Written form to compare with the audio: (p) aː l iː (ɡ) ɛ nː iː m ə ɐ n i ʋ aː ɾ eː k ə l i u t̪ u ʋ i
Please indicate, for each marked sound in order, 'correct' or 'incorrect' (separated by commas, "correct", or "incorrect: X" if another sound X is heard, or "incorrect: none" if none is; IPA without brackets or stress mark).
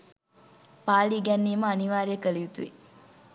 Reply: correct, correct